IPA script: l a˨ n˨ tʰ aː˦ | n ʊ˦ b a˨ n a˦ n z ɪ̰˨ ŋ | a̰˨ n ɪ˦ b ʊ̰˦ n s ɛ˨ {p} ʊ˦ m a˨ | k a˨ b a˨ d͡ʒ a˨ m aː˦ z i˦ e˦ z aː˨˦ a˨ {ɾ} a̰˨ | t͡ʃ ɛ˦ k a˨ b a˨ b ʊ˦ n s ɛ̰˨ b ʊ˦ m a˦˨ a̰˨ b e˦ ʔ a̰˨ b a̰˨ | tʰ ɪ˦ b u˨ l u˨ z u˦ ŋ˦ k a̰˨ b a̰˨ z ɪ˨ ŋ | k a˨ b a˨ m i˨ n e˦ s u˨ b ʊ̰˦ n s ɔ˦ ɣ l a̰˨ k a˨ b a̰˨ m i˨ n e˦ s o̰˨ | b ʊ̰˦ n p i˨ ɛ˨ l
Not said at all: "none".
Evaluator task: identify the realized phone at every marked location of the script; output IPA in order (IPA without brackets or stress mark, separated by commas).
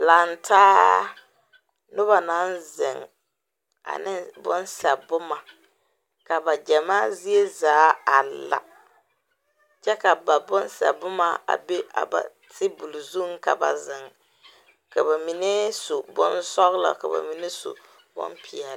b, l